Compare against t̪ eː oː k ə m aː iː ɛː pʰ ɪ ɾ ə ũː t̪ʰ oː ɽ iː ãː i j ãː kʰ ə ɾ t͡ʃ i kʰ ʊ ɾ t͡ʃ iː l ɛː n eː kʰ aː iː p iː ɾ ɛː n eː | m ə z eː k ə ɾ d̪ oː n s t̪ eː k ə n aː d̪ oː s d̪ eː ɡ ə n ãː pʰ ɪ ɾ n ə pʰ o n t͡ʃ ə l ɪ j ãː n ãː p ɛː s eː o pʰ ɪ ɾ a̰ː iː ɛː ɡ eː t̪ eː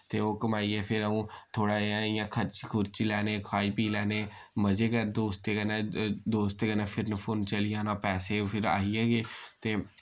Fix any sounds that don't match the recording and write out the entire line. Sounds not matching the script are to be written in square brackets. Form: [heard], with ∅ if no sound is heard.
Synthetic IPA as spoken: t̪ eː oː k ə m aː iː ɛː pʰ ɪ ɾ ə ũː t̪ʰ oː ɽ [aː] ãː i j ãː kʰ ə ɾ t͡ʃ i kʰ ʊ ɾ t͡ʃ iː l ɛː n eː kʰ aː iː p iː [l] ɛː n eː | m ə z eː k ə ɾ d̪ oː [∅] s t̪ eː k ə n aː d̪ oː s [t̪] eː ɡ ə n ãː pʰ ɪ ɾ n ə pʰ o n t͡ʃ ə l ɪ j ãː n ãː p ɛː s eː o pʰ ɪ ɾ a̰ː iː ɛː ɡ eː t̪ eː